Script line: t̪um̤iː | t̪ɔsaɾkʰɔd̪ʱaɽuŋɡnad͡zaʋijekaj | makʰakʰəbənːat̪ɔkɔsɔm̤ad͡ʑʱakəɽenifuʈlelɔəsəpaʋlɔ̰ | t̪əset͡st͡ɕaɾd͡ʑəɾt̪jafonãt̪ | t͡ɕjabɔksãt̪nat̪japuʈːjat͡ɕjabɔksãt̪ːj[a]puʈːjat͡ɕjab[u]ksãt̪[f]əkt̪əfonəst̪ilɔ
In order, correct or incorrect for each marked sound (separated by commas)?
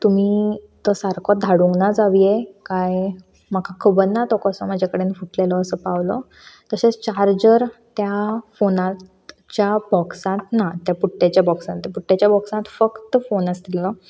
correct, incorrect, correct